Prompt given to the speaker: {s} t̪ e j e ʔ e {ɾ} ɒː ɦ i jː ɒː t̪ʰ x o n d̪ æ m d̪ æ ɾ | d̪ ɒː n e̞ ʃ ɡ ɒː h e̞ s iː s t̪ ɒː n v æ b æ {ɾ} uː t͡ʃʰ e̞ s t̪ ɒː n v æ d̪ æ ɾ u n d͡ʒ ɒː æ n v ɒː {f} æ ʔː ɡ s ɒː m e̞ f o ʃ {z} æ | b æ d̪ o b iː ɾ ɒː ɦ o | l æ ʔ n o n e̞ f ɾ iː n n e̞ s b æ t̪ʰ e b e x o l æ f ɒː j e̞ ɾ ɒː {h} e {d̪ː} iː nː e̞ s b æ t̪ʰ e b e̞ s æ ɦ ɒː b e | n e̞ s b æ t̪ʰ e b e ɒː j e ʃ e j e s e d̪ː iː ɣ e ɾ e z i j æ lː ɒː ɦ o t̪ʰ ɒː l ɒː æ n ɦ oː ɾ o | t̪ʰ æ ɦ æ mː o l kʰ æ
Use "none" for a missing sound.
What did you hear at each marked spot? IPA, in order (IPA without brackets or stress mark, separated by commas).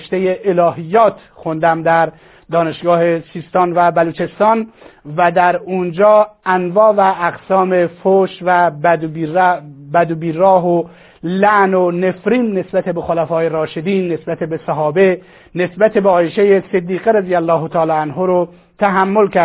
ʃ, l, l, v, v, ʃ, d̪